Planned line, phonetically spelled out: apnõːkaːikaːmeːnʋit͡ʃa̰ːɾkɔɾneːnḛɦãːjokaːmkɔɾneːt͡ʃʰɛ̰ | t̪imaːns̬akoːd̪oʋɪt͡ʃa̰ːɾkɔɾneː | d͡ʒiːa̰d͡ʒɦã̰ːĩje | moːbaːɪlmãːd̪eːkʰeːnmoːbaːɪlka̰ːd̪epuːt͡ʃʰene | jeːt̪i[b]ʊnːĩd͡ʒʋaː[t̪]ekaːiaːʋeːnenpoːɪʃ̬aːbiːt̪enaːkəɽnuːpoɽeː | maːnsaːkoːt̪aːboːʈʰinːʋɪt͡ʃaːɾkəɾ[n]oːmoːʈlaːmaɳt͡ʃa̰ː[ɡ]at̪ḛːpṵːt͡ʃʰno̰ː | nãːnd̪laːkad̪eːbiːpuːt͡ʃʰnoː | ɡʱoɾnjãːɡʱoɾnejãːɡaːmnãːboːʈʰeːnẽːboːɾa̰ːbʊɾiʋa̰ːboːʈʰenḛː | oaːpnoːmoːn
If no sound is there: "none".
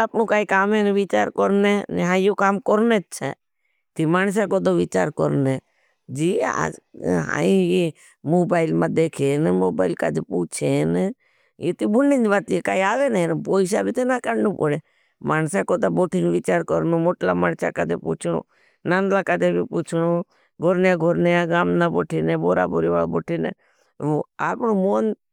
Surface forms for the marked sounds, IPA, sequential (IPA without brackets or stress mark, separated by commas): b, t̪, n, k